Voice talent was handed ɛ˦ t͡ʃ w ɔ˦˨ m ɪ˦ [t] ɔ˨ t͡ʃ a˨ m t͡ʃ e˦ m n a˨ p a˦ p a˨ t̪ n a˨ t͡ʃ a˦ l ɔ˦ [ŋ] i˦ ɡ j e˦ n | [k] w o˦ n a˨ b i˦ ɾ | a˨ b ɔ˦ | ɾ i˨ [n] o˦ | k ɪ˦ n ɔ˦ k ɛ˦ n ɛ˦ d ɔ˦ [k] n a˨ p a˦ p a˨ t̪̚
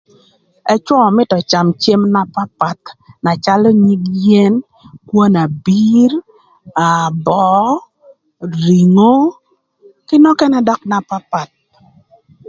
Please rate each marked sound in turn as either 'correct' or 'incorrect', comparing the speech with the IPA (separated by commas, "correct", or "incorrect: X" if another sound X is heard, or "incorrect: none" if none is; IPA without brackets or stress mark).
correct, incorrect: ɲ, correct, incorrect: ŋ, correct